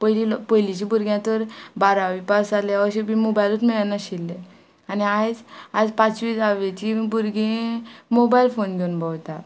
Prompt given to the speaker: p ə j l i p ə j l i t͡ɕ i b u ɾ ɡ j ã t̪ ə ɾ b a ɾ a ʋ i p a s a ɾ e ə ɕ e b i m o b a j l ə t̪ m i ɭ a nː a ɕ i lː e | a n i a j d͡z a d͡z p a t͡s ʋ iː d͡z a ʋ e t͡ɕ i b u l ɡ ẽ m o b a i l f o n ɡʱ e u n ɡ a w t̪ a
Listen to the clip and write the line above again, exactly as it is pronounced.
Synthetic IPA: p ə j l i p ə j l i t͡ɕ i b u ɾ ɡ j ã t̪ ə ɾ b a ɾ a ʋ i p a s a l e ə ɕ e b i m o b a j l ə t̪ m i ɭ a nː a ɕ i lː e | a n i a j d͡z a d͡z p a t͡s ʋ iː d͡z a ʋ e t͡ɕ i b u ɾ ɡ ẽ m o b a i l f o n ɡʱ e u n b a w t̪ a